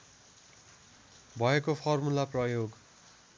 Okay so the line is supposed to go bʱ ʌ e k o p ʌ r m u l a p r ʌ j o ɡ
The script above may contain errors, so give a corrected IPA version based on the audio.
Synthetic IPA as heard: bʱ ʌ e k o pʰ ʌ r m u l a p r ʌ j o ɡ